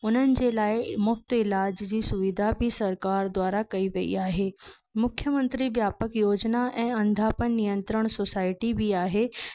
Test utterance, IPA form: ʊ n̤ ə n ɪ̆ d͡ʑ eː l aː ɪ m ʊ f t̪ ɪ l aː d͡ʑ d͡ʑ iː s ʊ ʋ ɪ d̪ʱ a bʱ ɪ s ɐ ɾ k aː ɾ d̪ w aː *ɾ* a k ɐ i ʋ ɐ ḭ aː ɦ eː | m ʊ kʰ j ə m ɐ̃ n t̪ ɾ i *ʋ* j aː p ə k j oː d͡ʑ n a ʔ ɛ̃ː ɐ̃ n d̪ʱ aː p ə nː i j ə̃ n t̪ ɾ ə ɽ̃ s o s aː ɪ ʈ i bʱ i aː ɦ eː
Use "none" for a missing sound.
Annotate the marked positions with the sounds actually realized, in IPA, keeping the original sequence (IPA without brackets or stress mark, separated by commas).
ɾ, ʋ